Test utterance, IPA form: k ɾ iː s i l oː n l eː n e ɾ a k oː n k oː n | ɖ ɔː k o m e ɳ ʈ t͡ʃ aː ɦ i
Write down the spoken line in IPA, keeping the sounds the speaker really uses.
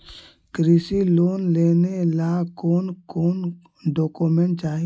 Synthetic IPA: k ɾ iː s i l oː n l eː n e l a k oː n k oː n | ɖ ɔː k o m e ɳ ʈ t͡ʃ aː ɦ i